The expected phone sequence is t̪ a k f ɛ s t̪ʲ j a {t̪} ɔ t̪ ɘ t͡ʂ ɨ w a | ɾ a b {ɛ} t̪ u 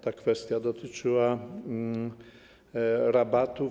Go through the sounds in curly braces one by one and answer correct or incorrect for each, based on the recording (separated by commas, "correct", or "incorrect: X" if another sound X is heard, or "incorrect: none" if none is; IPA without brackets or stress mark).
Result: incorrect: d̪, incorrect: a